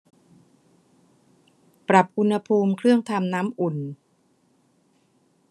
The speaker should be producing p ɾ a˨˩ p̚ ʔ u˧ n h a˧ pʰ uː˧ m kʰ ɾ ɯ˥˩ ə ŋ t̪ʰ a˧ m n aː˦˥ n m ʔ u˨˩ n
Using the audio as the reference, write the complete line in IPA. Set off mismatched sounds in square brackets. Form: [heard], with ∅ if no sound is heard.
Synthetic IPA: p ɾ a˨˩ p̚ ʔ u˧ n h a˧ pʰ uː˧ m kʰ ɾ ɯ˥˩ ə ŋ t̪ʰ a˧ m n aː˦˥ [∅] m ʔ u˨˩ n